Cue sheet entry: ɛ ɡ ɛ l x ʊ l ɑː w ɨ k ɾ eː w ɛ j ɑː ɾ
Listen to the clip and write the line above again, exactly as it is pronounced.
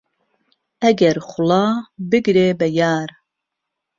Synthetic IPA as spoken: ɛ ɡ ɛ ɾ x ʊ l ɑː b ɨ ɡ ɾ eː b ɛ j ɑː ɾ